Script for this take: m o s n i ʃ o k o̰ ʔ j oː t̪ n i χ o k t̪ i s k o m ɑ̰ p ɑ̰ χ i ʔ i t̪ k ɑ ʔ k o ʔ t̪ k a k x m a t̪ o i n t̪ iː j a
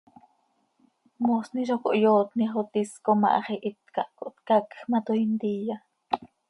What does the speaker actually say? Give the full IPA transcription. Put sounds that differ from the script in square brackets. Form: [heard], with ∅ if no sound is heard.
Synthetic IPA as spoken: m o s n i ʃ o k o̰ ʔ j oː t̪ n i χ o [∅] t̪ i s k o m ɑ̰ [ʔ] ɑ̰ χ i ʔ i t̪ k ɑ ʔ k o ʔ t̪ k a k x m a t̪ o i n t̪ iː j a